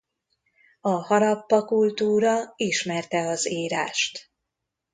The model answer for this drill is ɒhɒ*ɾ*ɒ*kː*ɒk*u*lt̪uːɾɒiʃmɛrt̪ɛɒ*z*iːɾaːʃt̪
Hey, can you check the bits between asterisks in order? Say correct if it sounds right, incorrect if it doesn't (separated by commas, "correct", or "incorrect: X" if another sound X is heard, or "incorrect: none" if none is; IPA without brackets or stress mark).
correct, incorrect: pː, correct, correct